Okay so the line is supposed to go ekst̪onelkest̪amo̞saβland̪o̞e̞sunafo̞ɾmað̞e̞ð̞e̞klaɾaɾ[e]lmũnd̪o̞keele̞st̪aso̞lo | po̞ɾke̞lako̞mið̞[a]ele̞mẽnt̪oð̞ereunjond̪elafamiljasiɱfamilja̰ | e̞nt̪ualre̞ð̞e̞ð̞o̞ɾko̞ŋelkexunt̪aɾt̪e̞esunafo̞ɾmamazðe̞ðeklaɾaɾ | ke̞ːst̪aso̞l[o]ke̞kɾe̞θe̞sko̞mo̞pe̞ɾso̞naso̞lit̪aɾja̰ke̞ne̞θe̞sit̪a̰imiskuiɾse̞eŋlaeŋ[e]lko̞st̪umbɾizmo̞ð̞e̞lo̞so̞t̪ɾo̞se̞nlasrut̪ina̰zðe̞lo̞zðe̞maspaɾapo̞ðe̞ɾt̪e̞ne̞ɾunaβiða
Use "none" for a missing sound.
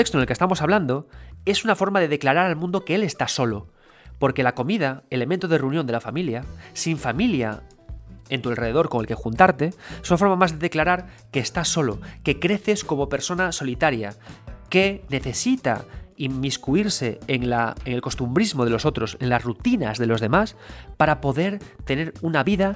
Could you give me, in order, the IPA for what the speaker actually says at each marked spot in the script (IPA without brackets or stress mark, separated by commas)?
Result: a, a, o, e